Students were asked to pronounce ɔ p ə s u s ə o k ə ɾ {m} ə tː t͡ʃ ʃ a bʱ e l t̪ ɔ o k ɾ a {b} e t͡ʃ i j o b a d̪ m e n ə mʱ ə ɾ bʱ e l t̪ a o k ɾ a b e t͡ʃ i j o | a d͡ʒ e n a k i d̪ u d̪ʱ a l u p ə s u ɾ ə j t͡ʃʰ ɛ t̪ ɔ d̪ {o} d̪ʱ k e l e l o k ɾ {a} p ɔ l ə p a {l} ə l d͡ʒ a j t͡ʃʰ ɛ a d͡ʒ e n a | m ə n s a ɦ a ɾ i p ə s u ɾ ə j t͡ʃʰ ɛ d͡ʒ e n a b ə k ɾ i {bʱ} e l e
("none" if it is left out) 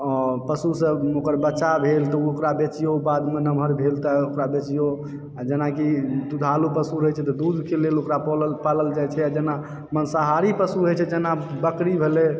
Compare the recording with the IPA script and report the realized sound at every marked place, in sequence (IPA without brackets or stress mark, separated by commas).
b, b, u, a, l, bʱ